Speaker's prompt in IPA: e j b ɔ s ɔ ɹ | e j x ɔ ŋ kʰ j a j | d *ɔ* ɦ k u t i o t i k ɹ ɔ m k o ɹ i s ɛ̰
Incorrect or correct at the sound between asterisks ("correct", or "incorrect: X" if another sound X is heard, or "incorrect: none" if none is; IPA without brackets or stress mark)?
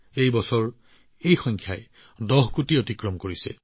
correct